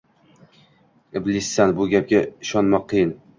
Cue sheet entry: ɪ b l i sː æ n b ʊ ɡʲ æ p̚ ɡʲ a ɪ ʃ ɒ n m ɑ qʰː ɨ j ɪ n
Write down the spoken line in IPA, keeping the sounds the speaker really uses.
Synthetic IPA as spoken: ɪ b l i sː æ n b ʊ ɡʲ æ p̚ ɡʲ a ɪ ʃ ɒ n m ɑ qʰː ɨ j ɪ n